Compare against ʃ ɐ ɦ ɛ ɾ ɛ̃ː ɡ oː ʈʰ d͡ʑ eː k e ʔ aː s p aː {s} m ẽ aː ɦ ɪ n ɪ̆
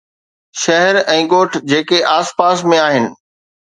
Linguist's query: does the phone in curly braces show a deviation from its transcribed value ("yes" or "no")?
no